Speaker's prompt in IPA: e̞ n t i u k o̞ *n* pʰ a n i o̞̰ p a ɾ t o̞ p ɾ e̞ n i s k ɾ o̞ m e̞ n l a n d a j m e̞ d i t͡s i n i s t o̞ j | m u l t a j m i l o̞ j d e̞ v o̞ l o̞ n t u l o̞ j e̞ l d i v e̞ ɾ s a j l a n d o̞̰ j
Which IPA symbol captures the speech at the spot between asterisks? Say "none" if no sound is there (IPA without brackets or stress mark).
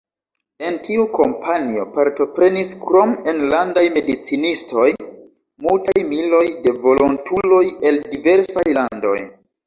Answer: m